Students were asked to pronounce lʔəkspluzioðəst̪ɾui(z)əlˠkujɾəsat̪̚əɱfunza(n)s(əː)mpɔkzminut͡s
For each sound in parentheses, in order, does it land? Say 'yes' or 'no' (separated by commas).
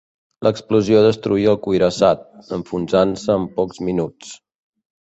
no, yes, yes